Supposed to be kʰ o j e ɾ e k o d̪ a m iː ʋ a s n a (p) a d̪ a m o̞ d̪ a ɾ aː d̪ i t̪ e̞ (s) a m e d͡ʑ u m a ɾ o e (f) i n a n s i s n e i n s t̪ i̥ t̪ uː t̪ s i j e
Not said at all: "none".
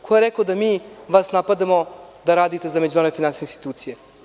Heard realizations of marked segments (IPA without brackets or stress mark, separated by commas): p, z, f